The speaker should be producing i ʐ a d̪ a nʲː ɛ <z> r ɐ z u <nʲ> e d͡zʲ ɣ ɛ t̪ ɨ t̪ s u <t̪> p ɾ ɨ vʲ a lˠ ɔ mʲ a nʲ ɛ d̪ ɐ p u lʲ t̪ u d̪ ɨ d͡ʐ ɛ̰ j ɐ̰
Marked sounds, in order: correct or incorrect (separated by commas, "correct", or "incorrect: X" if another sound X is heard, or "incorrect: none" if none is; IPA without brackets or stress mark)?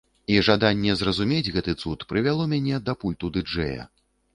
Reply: correct, incorrect: mʲ, correct